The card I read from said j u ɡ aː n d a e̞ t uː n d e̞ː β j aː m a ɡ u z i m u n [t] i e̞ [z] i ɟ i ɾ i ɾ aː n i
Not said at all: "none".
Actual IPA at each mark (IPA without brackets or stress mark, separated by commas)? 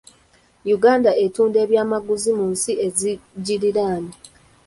s, z